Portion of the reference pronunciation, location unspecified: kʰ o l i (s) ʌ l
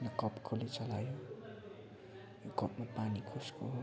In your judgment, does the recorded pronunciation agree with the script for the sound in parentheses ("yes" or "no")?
no